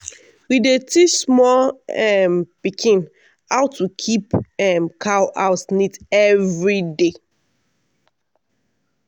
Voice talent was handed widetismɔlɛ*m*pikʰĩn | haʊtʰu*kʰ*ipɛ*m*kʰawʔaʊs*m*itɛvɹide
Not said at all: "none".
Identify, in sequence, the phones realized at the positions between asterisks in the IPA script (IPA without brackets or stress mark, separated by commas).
m, kʰ, m, n